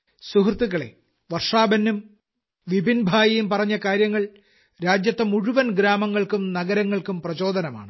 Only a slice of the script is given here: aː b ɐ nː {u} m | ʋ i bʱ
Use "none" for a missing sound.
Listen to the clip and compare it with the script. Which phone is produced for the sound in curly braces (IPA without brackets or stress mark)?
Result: u